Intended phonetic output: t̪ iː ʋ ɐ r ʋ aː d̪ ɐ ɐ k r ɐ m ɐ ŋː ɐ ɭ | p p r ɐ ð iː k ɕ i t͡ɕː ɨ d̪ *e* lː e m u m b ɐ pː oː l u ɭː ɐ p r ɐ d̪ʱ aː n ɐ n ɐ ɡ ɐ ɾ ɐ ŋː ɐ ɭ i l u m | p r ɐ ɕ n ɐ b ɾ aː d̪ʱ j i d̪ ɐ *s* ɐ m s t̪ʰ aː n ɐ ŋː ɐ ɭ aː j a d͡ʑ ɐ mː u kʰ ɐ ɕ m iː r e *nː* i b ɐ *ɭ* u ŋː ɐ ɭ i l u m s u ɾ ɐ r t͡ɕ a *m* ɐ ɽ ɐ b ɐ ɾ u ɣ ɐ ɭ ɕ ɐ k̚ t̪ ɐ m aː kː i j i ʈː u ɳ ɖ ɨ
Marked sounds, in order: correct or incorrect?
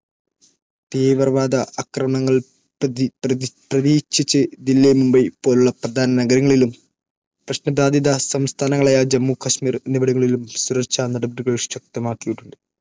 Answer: incorrect, correct, incorrect, incorrect, incorrect

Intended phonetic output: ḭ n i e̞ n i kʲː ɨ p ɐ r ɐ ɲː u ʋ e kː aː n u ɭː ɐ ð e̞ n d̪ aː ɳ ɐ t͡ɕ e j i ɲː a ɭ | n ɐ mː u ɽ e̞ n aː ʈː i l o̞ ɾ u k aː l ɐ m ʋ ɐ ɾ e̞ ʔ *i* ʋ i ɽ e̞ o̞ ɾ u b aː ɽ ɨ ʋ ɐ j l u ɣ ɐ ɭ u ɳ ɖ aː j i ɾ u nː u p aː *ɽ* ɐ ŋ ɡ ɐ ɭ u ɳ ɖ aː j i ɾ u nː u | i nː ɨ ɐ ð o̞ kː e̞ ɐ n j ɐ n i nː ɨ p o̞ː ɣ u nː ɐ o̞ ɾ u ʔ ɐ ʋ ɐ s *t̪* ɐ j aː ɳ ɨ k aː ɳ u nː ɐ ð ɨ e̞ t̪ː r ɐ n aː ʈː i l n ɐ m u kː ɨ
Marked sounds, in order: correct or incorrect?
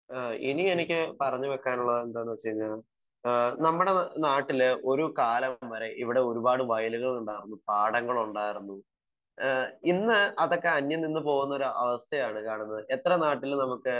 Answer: correct, correct, incorrect

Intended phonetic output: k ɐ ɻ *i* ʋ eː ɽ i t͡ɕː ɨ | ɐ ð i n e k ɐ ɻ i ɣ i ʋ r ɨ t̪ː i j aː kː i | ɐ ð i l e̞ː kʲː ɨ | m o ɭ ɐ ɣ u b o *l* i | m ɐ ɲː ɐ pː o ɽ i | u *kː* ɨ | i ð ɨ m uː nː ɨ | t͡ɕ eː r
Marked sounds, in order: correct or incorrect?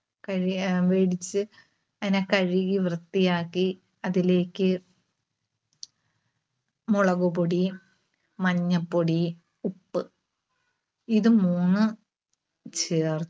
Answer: correct, incorrect, incorrect

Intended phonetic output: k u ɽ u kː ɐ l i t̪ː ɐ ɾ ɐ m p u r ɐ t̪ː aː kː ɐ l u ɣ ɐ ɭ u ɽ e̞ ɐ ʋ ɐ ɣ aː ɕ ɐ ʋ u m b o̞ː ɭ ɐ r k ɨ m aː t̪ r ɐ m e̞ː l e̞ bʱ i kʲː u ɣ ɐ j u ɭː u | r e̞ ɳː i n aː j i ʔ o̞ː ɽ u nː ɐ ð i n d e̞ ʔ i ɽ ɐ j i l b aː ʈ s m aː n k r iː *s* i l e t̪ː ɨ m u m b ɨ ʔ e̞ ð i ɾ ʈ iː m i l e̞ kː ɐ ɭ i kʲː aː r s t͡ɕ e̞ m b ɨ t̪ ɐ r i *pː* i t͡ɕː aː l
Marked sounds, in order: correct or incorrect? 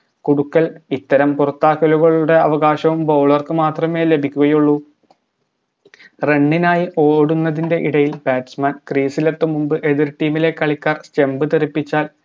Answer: correct, correct

